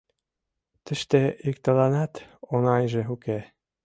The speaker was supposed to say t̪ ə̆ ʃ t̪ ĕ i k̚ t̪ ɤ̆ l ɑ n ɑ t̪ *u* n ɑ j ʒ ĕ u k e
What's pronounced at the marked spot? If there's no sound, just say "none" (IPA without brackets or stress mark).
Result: o